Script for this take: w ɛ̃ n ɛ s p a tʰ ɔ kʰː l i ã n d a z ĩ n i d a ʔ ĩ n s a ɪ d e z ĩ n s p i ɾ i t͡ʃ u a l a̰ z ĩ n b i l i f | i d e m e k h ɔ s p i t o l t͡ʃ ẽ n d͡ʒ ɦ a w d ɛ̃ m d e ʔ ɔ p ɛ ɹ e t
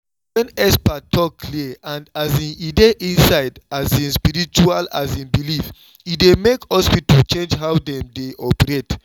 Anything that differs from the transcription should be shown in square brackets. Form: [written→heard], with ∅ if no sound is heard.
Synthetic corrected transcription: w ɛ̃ n ɛ s p a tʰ ɔ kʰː l i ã n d a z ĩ n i d [a→e] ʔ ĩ n s a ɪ d [e→a] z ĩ n s p i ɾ i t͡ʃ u a l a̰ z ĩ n b i l i f | i d e m e k h ɔ s p i t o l t͡ʃ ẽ n d͡ʒ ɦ a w d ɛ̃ m d e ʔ ɔ p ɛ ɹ e t